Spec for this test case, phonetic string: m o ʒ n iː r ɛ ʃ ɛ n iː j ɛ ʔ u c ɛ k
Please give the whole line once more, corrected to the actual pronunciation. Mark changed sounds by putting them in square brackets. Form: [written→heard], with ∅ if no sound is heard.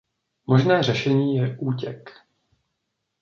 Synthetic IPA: m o ʒ n [iː→ɛː] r ɛ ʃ ɛ [n→ɲ] iː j ɛ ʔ [u→uː] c ɛ k